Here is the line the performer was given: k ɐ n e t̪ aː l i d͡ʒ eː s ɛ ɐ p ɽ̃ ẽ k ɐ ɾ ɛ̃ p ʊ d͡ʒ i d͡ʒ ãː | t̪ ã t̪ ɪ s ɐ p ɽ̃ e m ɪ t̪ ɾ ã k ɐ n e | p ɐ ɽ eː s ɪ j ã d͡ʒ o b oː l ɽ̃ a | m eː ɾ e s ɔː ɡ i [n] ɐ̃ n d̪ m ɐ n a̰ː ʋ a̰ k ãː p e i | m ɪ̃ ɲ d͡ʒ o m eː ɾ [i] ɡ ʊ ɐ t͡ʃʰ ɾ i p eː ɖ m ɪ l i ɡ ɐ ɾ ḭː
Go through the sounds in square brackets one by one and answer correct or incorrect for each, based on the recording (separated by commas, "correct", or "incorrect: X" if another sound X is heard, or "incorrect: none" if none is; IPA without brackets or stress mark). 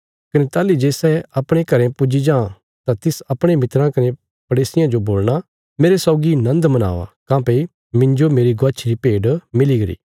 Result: correct, correct